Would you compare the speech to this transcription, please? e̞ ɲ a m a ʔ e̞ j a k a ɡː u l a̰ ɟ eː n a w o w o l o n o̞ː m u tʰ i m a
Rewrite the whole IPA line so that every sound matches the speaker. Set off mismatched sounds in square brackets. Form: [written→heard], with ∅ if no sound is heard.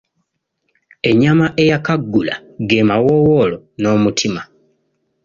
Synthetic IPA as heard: e̞ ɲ a m a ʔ e̞ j a k a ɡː u l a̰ [ɟ→ɡ] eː [n→m] a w o w o l o n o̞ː m u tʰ i m a